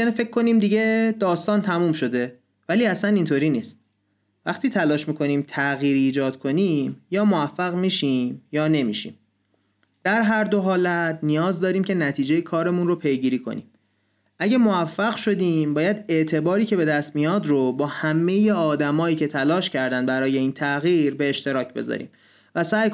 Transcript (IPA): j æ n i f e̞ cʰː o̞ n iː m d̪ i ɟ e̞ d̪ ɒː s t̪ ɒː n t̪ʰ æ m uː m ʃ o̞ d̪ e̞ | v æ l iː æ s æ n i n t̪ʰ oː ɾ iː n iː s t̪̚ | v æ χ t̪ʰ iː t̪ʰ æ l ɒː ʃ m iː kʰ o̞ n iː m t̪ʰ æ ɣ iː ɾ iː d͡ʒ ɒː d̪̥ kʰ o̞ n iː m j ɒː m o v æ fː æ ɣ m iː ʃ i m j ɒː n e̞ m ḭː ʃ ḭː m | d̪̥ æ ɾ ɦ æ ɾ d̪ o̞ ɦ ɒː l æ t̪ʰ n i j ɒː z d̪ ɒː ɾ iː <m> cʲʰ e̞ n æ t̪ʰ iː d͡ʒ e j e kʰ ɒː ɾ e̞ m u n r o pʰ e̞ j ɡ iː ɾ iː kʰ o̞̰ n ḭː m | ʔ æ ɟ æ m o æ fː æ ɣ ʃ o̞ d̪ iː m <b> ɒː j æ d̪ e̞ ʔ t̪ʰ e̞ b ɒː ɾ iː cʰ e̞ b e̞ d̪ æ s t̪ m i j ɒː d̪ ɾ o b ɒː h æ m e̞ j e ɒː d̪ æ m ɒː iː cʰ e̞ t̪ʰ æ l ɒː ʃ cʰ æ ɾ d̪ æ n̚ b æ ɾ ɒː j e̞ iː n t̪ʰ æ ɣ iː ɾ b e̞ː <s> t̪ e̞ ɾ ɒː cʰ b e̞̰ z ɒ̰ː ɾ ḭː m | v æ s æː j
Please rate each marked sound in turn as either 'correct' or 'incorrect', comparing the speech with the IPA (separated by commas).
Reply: correct, correct, incorrect